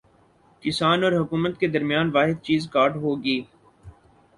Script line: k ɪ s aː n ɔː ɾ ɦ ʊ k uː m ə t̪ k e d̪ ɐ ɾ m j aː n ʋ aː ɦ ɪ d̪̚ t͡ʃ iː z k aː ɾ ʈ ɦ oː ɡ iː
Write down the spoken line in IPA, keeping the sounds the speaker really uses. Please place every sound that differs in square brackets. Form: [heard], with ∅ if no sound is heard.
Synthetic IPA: k ɪ s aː n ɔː ɾ ɦ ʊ k uː m ə t̪ k e d̪ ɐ ɾ m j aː n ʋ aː ɦ ɪ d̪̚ t͡ʃ iː z k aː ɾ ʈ ɦ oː ɡ iː